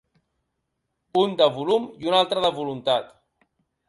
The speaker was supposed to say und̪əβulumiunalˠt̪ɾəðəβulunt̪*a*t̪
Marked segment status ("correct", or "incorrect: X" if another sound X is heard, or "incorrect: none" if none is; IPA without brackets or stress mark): correct